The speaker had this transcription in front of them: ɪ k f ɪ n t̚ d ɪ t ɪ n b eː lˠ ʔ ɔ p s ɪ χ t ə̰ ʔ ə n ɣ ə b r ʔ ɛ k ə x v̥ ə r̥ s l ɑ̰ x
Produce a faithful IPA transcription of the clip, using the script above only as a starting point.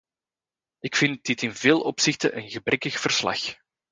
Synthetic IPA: ɪ k f ɪ n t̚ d ɪ t ɪ n v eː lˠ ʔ ɔ p s ɪ x t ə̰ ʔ ə n ɣ ə b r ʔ ɛ k ə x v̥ ə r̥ s l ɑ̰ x